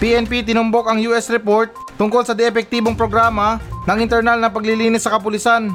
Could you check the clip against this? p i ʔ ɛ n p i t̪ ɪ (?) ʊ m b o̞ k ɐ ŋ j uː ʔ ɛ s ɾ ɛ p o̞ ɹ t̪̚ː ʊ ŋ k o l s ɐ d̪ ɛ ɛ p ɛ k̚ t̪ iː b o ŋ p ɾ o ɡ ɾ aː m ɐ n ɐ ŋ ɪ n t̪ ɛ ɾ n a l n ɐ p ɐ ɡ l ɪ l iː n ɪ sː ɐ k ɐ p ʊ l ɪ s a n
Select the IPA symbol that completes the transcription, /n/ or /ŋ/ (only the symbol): n